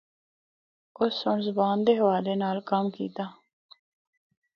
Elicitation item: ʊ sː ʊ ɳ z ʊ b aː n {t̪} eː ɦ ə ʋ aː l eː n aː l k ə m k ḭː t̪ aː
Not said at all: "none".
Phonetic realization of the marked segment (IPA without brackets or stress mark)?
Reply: d̪